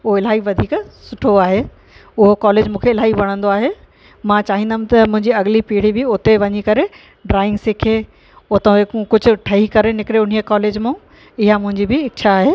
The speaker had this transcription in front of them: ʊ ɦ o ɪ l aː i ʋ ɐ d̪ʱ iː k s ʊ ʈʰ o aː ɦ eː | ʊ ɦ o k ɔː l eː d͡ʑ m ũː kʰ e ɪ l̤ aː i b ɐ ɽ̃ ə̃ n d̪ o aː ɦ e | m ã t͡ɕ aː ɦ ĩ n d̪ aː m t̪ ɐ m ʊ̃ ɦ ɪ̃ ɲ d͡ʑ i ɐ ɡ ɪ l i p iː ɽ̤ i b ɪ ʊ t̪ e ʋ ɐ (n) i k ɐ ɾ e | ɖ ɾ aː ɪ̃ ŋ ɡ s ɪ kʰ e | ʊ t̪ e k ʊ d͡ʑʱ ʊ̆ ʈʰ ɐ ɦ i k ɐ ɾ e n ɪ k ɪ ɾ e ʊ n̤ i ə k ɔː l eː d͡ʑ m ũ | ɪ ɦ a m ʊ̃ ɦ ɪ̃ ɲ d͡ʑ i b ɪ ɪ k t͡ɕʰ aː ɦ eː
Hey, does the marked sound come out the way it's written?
no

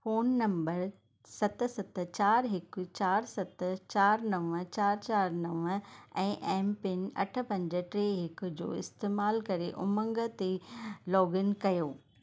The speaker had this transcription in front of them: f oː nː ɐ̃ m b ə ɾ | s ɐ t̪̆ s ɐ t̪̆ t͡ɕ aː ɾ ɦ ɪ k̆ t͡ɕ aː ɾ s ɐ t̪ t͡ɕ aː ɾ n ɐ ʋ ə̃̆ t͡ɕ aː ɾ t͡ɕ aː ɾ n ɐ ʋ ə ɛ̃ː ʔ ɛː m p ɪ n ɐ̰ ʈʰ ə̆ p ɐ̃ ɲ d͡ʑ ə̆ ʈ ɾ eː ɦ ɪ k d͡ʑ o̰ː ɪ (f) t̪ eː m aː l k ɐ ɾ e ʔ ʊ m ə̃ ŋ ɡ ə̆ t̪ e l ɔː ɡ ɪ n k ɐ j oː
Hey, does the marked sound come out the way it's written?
no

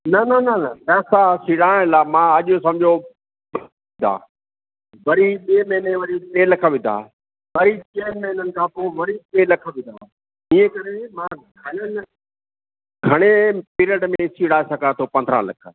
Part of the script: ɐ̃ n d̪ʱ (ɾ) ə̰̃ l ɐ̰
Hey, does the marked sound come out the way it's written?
yes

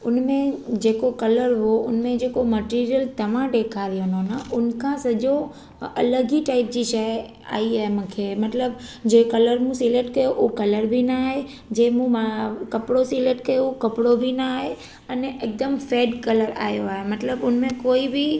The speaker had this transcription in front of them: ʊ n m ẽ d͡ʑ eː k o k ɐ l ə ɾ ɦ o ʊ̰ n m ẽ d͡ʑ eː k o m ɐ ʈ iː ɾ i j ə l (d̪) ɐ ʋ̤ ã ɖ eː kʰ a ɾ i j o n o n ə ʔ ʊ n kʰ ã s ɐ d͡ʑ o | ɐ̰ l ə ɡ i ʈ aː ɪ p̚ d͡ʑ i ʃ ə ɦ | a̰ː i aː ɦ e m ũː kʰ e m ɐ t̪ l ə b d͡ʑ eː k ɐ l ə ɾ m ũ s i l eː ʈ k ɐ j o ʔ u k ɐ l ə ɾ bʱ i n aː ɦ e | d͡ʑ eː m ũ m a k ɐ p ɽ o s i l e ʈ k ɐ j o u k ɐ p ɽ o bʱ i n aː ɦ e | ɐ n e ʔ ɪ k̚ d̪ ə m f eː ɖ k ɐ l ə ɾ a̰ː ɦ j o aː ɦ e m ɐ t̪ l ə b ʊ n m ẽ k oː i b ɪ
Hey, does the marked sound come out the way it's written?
no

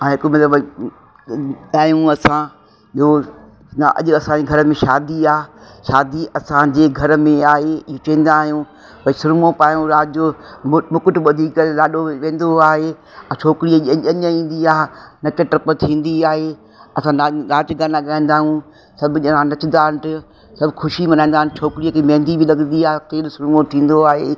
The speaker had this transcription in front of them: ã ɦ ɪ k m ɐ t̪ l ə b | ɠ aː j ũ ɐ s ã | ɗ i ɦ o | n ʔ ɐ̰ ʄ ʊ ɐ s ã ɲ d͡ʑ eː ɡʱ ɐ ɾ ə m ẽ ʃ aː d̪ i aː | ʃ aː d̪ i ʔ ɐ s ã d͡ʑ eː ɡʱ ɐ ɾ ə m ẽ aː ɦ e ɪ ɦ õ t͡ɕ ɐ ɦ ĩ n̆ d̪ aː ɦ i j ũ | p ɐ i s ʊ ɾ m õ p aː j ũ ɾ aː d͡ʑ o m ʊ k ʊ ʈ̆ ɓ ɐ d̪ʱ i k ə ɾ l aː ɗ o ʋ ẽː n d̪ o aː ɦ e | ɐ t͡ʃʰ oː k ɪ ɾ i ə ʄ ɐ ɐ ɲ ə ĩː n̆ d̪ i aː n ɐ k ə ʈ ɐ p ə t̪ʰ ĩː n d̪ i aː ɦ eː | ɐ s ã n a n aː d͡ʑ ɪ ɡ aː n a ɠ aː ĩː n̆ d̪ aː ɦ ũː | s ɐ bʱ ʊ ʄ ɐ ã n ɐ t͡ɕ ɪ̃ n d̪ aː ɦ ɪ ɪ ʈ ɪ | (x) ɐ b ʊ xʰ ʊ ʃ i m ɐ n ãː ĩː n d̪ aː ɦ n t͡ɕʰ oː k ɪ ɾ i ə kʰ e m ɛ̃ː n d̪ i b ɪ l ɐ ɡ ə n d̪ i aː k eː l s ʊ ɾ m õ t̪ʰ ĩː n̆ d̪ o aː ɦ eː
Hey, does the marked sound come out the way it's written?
no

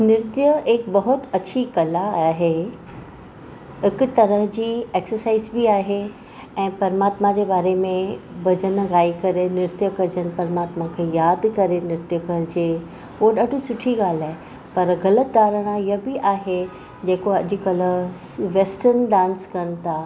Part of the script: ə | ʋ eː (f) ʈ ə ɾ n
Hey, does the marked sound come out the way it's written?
no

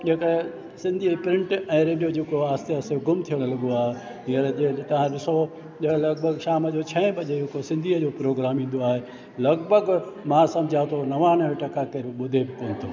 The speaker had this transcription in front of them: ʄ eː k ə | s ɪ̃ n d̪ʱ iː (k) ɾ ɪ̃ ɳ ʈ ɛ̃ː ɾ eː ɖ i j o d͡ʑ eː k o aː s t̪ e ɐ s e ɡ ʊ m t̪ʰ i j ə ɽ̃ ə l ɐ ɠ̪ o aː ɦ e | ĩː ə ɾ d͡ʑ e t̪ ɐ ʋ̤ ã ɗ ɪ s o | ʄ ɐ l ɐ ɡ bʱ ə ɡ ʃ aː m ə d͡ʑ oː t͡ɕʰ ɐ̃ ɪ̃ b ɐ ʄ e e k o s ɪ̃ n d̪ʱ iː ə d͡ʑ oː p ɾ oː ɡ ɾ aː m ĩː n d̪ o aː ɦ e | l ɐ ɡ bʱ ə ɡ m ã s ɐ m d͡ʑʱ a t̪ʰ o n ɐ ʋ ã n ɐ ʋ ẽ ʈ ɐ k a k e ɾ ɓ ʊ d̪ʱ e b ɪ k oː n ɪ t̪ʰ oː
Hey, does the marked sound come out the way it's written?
no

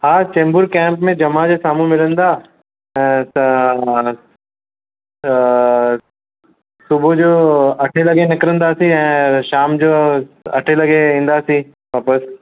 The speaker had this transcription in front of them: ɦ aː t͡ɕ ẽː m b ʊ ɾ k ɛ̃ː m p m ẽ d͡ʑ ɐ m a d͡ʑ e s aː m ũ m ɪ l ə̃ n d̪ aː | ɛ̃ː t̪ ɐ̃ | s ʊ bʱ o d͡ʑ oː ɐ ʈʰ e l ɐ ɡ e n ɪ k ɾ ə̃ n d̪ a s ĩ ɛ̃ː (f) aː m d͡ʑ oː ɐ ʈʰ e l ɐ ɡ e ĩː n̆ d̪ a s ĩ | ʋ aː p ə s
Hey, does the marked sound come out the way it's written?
no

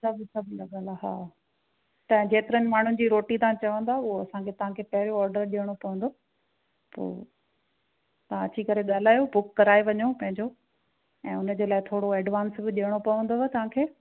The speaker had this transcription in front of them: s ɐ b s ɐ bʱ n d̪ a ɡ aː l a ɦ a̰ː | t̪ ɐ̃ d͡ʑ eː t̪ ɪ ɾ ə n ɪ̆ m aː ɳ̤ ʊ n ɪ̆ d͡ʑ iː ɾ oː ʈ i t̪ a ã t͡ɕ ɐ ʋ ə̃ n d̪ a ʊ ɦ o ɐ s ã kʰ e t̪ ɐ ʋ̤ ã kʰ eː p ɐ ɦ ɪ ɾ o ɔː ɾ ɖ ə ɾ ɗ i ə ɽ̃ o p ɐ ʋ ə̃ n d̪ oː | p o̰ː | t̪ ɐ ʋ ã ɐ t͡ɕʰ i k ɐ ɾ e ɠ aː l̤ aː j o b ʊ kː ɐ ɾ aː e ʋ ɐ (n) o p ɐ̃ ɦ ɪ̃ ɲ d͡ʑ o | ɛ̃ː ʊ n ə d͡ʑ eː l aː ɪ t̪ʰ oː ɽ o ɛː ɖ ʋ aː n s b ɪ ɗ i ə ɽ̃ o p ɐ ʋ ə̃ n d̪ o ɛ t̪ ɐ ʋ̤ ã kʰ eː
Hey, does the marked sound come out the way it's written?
no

